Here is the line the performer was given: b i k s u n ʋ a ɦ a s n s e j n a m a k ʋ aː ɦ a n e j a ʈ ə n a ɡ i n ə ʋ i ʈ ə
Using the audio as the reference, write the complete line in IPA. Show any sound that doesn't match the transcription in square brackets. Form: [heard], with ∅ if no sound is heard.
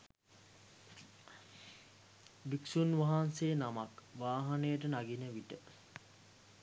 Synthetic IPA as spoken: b i k s u n ʋ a ɦ a [∅] n s e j n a m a k ʋ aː ɦ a n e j [ə] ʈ ə n a ɡ i n ə ʋ i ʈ ə